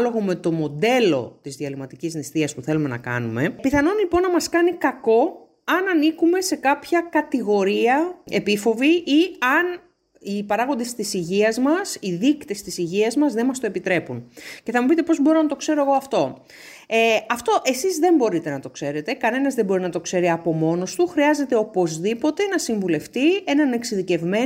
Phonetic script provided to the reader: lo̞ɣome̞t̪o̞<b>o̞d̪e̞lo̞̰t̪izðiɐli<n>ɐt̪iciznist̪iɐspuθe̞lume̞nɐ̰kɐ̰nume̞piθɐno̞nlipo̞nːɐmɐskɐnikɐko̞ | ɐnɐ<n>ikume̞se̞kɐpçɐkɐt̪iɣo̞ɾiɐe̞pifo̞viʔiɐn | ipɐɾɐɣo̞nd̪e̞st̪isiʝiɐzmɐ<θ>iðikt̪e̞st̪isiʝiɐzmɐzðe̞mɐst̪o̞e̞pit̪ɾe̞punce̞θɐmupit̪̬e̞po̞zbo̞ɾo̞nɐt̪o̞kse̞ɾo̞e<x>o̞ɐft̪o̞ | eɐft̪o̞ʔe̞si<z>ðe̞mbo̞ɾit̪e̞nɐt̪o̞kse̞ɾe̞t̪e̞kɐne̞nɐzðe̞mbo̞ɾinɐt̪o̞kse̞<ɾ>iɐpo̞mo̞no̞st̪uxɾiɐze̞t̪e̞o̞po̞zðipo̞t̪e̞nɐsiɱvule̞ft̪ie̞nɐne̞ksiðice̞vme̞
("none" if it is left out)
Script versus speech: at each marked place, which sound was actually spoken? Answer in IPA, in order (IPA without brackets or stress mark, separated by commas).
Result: m, m, n, s, ɣ, z, ɾ